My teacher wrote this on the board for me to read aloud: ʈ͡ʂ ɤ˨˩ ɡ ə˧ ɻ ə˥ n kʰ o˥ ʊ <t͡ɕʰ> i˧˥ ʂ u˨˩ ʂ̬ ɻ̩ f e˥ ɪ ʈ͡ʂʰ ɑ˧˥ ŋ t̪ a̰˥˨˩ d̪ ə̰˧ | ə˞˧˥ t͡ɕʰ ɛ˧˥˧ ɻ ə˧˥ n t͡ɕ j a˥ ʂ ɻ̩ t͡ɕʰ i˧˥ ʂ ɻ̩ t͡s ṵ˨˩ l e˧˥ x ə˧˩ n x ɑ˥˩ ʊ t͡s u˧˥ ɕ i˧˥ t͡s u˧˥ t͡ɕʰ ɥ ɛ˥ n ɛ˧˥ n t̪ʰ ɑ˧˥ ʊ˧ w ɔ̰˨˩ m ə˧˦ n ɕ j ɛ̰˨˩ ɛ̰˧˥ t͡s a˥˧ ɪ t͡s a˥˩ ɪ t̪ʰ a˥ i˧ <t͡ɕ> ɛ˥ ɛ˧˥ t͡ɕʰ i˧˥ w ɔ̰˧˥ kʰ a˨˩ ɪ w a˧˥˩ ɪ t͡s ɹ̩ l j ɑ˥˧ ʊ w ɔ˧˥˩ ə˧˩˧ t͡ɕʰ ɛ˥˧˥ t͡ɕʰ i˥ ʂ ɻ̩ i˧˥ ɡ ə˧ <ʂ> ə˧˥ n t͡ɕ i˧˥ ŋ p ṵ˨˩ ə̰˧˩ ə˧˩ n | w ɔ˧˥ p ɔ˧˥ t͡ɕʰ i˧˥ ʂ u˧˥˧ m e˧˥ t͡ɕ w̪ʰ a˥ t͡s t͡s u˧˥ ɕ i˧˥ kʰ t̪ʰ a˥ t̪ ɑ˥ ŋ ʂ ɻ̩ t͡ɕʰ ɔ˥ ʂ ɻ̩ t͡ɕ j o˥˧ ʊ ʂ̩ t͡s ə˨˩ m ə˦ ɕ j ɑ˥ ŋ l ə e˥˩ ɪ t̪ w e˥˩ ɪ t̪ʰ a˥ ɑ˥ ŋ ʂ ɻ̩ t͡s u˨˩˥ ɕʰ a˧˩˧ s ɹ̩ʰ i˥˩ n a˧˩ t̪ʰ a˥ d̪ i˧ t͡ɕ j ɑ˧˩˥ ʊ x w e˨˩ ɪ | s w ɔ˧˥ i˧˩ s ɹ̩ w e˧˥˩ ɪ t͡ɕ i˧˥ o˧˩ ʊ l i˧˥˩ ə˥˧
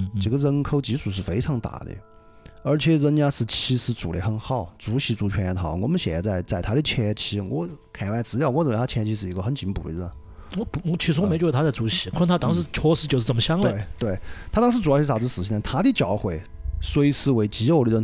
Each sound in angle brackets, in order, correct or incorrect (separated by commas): incorrect, incorrect, incorrect